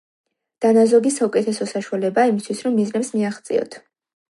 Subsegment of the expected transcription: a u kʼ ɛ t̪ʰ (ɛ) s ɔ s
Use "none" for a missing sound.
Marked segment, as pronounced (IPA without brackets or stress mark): ɛ